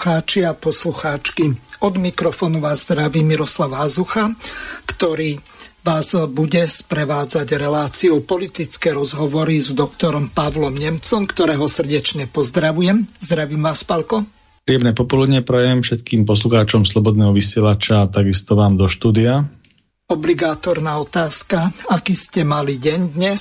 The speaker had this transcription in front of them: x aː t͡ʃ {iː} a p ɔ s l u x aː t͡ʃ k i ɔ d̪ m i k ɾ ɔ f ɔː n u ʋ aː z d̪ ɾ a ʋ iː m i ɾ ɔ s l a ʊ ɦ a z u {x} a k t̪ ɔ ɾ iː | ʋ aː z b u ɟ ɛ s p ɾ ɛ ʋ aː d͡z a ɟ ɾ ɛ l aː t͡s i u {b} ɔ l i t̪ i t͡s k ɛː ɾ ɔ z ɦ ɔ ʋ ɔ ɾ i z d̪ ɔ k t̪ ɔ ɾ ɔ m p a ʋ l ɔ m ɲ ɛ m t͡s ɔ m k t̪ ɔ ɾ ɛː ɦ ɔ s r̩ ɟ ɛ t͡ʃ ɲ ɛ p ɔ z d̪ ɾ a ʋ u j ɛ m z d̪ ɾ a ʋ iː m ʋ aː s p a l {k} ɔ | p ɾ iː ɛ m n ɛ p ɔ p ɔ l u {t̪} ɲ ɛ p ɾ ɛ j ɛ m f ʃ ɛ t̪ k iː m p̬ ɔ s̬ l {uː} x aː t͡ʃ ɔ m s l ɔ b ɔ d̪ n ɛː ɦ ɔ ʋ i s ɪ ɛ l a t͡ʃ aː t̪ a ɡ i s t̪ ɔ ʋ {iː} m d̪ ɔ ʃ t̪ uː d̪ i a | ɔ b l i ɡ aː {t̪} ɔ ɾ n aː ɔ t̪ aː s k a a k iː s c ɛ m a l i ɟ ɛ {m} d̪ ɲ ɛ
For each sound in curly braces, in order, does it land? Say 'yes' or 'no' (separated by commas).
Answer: no, yes, no, yes, no, no, no, yes, no